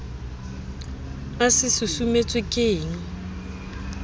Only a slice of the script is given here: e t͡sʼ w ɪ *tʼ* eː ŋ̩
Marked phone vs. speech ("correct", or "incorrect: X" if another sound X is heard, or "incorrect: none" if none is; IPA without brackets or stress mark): incorrect: kʼ